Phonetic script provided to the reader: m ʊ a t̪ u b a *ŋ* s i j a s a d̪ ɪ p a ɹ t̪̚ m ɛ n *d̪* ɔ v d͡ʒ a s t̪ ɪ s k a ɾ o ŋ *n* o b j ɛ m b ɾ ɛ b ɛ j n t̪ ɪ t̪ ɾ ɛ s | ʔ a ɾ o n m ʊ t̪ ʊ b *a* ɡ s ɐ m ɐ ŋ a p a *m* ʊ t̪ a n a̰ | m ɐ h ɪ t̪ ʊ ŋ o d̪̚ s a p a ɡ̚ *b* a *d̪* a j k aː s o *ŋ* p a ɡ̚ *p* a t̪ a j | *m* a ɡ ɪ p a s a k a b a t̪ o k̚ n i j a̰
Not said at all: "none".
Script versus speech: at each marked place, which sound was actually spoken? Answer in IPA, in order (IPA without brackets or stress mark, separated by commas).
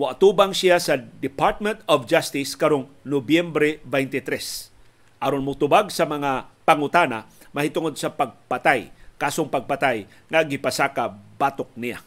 ŋ, t̪, n, a, ŋ, p, t̪, ŋ, p, ŋ